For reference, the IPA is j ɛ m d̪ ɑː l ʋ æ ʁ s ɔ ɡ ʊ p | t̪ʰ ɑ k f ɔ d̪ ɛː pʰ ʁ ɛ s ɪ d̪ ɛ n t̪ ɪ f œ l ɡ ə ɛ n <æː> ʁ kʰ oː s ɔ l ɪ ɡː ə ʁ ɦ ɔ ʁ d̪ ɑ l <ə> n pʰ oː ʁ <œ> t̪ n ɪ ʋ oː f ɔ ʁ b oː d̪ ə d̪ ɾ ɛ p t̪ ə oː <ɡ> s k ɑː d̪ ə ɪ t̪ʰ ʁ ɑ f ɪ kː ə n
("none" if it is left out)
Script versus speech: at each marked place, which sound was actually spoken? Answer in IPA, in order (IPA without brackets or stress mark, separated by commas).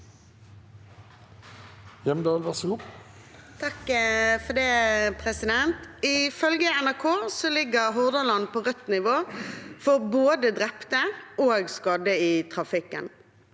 æ, ɑ, œ, ɡ